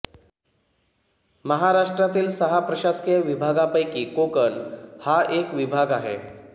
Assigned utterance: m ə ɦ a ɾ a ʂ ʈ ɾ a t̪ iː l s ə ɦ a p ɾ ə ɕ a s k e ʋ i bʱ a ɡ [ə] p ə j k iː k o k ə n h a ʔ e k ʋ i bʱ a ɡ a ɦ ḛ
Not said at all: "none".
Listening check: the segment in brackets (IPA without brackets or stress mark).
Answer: a